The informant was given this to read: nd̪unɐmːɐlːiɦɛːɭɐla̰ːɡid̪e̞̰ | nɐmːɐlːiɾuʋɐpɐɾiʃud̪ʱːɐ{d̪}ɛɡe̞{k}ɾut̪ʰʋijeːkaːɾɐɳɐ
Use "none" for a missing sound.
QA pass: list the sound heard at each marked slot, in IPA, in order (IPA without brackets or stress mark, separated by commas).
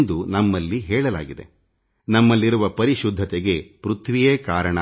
t̪, p